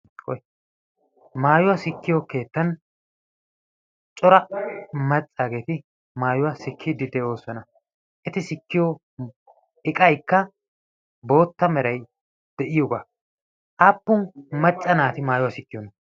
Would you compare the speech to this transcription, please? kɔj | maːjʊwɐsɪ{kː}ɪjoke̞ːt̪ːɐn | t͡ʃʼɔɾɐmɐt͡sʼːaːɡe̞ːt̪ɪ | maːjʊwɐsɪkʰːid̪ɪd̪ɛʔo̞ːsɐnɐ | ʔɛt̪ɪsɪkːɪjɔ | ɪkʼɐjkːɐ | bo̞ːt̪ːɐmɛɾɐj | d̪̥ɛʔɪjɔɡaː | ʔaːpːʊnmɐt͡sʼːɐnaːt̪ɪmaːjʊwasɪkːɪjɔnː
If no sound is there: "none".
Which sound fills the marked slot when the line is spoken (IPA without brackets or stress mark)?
kː